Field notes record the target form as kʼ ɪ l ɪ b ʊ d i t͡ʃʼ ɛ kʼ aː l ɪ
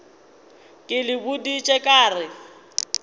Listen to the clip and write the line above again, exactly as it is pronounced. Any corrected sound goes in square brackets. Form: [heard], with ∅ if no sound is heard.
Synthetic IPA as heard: kʼ ɪ l ɪ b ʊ d i t͡ʃʼ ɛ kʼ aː [r] ɪ